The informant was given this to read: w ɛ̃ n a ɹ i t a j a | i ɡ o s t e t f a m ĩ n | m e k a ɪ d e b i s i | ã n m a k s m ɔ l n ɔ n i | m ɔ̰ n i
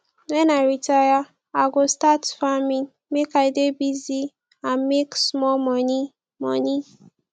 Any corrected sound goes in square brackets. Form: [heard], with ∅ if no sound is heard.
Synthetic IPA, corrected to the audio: w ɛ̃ n a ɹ i t a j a | [a] ɡ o s t [a] t f a m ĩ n | m e k a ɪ d e b i [z] i | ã n m [e] k s m ɔ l [m] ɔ n i | m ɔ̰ n i